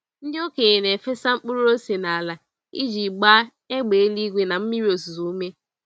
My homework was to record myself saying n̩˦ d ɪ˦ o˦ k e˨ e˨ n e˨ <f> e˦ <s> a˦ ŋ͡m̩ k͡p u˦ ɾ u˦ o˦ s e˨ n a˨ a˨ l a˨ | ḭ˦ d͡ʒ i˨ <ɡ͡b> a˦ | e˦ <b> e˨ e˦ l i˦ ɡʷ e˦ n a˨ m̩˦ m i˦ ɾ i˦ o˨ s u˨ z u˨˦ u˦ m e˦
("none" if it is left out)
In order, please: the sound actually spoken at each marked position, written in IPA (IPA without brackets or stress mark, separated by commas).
f, s, ɡ͡b, ɡ͡b